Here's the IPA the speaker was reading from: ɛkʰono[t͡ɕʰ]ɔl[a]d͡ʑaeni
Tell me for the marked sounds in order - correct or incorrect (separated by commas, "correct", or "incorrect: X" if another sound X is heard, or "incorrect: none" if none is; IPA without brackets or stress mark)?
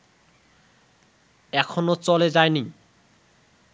incorrect: t͡ɕ, incorrect: e